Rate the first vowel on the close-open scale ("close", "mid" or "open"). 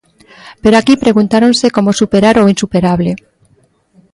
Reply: mid